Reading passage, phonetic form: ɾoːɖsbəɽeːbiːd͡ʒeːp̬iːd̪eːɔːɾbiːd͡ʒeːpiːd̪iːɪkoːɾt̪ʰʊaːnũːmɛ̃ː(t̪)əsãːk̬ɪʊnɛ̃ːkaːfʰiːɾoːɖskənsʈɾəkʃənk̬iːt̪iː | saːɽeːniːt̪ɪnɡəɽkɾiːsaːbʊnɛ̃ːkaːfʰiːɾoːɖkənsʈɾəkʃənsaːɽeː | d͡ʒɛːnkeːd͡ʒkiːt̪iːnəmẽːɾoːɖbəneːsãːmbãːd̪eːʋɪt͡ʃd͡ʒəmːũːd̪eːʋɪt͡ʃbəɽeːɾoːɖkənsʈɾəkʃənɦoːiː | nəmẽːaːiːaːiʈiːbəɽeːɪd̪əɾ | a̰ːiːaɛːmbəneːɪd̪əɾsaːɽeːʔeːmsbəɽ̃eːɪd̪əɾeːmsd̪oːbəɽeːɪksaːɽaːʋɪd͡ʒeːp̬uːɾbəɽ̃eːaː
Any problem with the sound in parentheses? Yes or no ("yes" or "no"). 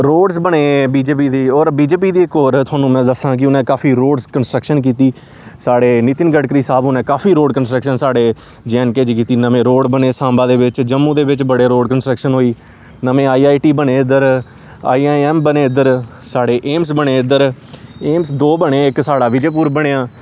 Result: yes